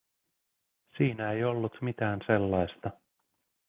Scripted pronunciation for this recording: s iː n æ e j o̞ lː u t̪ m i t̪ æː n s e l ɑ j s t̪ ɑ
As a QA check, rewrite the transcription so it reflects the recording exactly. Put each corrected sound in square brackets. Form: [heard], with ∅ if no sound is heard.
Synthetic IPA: s iː n æ e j o̞ lː u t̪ m i t̪ æː n s e [lː] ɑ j s t̪ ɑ